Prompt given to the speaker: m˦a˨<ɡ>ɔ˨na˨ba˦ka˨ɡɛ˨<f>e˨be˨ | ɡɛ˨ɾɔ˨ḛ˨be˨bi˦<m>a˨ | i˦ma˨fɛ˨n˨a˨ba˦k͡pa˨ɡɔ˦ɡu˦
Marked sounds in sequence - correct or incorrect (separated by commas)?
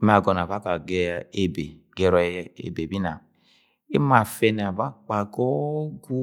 correct, incorrect, incorrect